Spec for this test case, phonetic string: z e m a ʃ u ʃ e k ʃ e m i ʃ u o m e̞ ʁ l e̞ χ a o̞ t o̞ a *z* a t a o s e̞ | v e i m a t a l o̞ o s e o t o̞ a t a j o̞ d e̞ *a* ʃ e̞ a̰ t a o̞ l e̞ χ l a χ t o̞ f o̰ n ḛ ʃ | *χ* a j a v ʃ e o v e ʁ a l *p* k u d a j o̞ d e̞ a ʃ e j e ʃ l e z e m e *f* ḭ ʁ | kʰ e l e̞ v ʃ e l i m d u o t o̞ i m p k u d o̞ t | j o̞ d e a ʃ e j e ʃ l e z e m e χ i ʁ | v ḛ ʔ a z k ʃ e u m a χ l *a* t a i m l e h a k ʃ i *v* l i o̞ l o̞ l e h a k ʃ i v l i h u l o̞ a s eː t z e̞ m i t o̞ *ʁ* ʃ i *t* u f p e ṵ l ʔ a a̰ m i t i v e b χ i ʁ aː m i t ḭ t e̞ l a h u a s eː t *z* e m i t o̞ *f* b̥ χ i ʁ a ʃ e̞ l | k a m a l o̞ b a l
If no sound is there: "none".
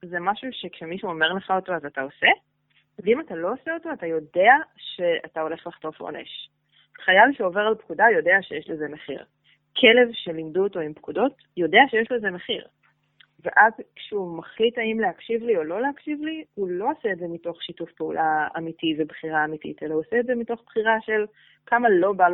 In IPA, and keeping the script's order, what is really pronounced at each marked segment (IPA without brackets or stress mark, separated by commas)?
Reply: z, a, χ, p, χ, i, v, χ, t, z, χ